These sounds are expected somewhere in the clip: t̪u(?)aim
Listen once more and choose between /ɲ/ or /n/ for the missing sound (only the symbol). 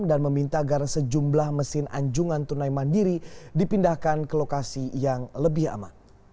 n